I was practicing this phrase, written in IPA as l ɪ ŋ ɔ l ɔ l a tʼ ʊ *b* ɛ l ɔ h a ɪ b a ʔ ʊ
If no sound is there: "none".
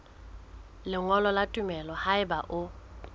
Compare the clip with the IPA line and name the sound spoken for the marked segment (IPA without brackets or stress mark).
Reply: m